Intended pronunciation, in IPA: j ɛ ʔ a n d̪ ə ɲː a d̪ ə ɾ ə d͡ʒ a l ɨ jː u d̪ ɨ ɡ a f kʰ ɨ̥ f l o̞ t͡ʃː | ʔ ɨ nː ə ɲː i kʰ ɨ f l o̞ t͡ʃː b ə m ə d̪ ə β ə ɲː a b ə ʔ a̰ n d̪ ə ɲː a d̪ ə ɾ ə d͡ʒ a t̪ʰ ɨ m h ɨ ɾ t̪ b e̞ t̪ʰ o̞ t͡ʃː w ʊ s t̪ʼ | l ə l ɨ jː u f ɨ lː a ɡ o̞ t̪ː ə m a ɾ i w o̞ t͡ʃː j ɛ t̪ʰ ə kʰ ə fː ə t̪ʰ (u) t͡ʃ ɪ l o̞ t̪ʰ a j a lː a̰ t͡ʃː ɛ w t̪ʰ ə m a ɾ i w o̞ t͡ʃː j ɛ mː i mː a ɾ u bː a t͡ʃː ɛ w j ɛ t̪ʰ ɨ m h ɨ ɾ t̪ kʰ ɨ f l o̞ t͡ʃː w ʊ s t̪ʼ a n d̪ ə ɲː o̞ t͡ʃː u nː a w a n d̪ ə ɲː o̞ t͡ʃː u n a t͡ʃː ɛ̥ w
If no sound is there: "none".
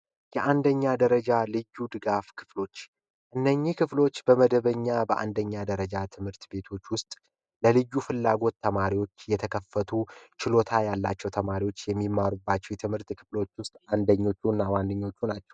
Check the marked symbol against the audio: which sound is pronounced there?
u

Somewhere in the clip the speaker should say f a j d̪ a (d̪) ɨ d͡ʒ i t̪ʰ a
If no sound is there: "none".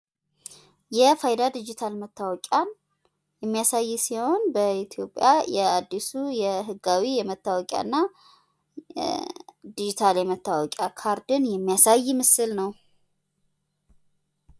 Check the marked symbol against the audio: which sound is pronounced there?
d̪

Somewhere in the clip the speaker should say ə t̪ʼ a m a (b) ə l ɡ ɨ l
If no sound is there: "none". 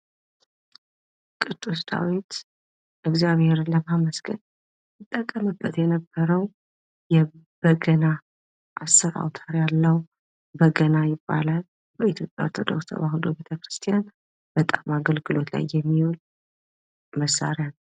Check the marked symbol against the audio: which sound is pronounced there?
ɡ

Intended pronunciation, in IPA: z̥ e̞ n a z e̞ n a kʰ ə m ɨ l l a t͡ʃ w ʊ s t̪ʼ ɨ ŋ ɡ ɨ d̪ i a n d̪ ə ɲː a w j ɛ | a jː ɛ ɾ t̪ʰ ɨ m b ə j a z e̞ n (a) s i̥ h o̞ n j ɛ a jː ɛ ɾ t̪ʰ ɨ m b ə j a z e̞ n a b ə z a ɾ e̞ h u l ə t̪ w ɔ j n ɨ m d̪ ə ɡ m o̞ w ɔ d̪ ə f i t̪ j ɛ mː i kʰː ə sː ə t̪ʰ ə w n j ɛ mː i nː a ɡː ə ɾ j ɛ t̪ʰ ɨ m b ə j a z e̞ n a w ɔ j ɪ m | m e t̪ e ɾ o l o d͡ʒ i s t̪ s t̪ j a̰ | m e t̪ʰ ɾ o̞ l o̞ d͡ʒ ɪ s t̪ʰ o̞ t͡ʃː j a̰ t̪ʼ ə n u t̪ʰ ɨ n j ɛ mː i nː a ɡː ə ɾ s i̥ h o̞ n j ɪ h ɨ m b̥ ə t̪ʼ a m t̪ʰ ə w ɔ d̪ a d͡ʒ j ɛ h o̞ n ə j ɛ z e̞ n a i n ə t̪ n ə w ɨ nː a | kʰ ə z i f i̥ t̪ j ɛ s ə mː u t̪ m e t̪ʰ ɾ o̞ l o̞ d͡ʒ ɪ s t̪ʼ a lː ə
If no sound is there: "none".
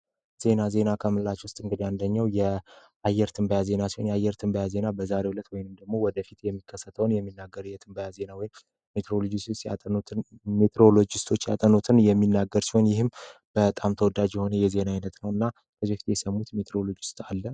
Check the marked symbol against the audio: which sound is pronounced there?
a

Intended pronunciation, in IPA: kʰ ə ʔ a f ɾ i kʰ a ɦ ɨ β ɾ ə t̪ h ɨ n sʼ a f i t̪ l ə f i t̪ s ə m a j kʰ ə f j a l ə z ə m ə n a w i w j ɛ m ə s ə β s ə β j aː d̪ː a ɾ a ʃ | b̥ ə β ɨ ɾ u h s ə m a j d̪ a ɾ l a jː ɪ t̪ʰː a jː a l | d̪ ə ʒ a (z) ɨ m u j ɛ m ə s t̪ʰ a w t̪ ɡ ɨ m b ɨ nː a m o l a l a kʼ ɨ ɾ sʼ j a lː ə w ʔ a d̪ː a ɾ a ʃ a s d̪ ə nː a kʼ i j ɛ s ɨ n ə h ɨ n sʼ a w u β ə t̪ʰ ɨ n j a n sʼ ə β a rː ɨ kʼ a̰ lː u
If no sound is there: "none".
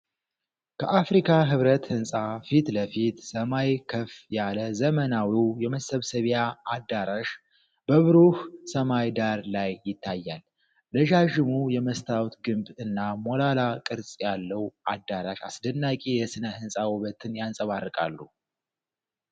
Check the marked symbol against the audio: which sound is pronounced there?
ʒ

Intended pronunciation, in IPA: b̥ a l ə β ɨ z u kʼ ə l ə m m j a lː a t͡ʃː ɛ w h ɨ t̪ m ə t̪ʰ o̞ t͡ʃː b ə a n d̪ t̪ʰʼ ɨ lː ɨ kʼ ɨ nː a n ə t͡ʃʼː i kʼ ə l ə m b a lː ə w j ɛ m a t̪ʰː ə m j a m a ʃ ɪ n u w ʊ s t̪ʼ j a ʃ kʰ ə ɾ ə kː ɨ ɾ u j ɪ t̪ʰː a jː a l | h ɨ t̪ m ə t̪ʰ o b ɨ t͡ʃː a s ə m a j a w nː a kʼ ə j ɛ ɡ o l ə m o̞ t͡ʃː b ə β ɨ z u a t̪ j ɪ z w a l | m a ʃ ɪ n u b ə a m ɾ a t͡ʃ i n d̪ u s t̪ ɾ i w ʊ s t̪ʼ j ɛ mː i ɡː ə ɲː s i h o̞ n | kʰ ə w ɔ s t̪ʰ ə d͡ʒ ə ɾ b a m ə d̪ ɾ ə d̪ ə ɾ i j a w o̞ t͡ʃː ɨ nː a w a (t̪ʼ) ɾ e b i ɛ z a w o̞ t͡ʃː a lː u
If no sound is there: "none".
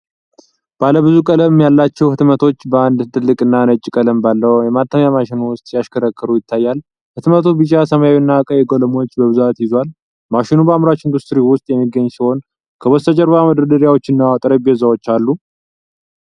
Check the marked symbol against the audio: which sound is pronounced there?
t̪ʼ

